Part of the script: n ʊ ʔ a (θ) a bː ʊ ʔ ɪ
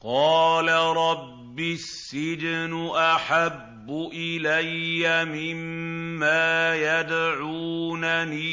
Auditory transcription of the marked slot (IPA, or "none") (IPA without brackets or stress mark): ħ